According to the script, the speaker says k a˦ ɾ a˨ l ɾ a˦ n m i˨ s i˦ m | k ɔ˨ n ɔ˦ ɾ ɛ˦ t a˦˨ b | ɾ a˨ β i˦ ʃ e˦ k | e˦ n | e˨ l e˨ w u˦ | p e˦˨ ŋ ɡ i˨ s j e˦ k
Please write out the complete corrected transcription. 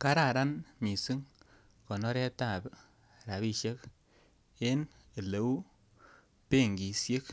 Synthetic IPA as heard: k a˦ ɾ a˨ ɾ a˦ n m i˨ s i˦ ŋ | k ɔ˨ n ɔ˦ ɾ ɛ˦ t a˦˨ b | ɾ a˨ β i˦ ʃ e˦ k | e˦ n | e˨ l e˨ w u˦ | p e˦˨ ŋ ɡ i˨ s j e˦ k